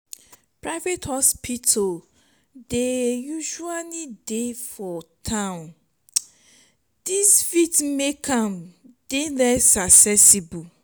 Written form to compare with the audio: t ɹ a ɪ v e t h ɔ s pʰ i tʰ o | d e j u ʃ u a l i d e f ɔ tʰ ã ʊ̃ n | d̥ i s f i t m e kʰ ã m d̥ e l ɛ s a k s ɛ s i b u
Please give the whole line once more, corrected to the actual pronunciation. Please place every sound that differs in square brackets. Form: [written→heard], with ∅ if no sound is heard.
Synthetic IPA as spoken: [t→p] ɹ a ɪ v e t h ɔ s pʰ i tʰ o | d e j u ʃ u a l i d e f ɔ tʰ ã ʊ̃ n | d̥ i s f i t m e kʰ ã m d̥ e l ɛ s a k s ɛ s i b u